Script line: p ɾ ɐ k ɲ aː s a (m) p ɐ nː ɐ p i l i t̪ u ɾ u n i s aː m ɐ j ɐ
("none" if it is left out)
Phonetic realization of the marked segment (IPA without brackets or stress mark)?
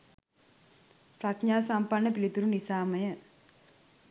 m